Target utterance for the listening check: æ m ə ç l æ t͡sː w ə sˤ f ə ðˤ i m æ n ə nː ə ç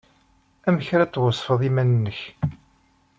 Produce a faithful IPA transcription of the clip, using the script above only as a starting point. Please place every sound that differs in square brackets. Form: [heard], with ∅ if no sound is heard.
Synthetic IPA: æ m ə ç [ɾ] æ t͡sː w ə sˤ f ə ðˤ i m æ n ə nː ə ç